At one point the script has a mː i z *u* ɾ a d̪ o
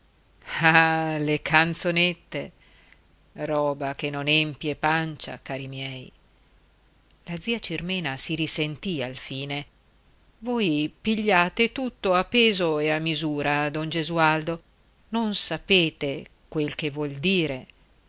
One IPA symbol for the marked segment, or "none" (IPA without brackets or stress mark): uː